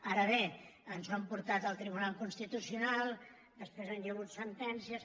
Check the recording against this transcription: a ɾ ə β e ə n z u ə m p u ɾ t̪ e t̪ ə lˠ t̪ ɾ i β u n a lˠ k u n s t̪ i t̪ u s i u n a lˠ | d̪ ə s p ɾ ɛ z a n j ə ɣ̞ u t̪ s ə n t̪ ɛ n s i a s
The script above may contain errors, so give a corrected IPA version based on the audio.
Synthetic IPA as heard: a ɾ ə β e ə n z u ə m p u ɾ t̪ a t̪ ə lˠ t̪ ɾ i β u n a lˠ k u n s t̪ i t̪ u s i u n a lˠ | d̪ ə s p ɾ e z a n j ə ɣ̞ u t̪ s ə n t̪ ɛ n s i ə s